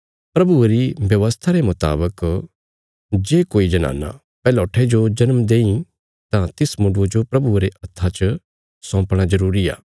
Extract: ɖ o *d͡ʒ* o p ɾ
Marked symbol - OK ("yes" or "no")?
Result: yes